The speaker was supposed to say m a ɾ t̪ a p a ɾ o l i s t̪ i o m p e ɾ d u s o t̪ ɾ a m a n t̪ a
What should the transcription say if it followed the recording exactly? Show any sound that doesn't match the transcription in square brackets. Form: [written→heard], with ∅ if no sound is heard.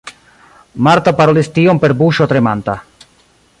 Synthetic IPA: m a ɾ t̪ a p a ɾ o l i s t̪ i o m p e ɾ [d→b] u [s→ʃ] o t̪ ɾ [a→e] m a n t̪ a